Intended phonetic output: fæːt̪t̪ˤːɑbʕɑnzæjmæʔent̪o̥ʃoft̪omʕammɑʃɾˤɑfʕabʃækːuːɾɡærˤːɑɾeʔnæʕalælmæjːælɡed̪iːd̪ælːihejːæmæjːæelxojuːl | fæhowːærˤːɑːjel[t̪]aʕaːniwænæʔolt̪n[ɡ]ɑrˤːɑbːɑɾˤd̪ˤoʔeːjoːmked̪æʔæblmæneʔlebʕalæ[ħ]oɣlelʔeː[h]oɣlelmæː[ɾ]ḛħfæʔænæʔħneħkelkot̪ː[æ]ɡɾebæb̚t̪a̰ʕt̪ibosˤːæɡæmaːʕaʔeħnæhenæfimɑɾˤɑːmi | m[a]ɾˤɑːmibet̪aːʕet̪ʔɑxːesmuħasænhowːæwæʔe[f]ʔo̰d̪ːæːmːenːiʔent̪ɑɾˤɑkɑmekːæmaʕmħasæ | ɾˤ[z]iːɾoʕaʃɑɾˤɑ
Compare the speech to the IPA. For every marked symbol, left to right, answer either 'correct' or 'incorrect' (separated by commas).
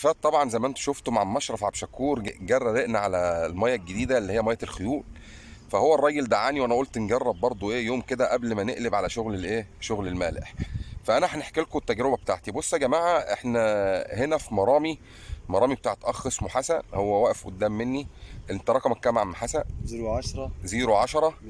incorrect, correct, incorrect, incorrect, incorrect, correct, incorrect, correct, correct